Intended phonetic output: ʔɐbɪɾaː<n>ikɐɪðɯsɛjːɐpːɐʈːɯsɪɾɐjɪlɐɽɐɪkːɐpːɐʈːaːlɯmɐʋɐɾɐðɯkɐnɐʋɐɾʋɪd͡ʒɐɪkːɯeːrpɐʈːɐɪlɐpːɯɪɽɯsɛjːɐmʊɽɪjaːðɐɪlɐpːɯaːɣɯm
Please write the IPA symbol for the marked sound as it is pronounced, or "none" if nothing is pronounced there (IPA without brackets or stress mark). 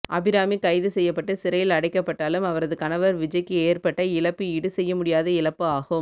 m